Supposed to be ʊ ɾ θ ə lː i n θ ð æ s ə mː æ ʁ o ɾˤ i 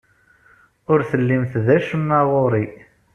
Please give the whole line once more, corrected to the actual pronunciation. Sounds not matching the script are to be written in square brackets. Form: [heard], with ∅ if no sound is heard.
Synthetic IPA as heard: ʊ ɾ θ ə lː i [m] θ ð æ [ʃ] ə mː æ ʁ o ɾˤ i